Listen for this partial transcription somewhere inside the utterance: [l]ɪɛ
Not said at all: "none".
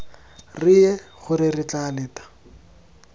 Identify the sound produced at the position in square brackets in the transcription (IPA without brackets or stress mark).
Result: r